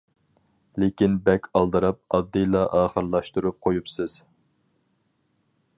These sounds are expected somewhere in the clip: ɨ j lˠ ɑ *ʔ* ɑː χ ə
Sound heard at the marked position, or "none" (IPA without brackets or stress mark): ʔ